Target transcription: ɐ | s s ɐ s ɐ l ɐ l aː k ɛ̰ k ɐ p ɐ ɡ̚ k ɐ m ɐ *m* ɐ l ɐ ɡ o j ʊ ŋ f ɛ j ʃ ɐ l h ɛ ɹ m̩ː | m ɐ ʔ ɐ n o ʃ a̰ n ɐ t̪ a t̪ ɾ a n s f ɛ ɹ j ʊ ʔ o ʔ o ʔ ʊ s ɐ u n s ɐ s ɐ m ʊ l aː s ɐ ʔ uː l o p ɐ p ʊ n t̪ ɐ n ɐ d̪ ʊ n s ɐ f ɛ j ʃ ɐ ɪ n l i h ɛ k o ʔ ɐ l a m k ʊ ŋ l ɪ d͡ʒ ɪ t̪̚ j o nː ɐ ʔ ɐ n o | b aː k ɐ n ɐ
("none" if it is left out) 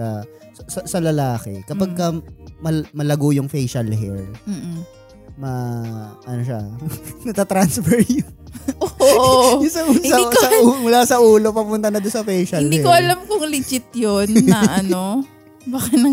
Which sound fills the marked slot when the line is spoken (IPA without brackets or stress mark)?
m